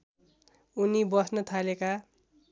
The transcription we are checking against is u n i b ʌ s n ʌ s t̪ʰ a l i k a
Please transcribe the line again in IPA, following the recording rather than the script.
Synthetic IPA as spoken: u n i b ʌ s n ʌ t̪ʰ a l e k a